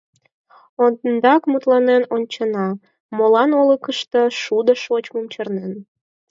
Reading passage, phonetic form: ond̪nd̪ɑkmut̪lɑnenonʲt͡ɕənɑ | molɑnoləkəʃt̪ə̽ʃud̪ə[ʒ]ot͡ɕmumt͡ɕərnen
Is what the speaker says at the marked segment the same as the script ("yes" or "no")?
no